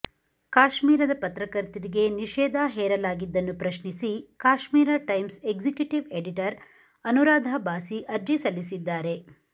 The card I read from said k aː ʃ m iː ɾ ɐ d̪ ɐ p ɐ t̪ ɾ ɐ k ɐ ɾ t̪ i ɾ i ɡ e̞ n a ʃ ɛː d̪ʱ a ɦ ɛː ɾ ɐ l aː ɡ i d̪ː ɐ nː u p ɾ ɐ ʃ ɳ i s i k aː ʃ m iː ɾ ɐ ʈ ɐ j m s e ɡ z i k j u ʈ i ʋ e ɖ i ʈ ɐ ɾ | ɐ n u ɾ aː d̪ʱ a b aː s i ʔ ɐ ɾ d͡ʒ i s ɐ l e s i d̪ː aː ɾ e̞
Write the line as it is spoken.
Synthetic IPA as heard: k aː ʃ m iː ɾ ɐ d̪ ɐ p ɐ t̪ ɾ ɐ k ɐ ɾ t̪ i ɾ i ɡ e̞ n i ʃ ɛː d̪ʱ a ɦ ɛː ɾ ɐ l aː ɡ i d̪ː ɐ nː u p ɾ ɐ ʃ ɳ i s i k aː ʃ m iː ɾ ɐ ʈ ɐ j m s e ɡ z i k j u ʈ i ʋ e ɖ i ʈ ɐ ɾ | ɐ n u ɾ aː d̪ʱ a b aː s i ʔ ɐ ɾ d͡ʒ i s ɐ l i s i d̪ː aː ɾ e̞